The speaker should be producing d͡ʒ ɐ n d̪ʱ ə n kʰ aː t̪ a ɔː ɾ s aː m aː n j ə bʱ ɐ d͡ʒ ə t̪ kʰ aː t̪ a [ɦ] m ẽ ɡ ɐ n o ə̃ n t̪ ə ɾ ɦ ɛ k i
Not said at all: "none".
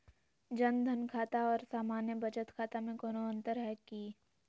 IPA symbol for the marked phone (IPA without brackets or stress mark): none